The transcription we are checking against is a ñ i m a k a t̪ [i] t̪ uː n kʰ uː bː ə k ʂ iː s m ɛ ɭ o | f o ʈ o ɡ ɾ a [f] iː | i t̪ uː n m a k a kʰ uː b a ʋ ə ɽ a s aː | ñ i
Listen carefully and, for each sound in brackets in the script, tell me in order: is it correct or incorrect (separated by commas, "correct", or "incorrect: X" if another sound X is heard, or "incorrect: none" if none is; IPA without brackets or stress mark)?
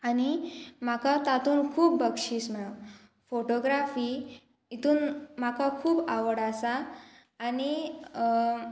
incorrect: a, correct